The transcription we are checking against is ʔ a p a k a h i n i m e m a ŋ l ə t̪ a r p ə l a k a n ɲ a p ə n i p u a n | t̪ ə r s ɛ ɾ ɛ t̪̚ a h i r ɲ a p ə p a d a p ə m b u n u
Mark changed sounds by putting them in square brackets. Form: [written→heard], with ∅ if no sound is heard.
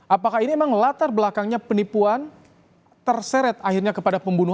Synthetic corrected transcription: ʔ a p a k a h i n i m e m a ŋ l [ə→a] t̪ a r [p→b] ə l a k a [n→ŋ] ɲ a p ə n i p u a n | t̪ ə r s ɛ ɾ ɛ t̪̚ a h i r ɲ a [p→k] ə p a d a p ə m b u n u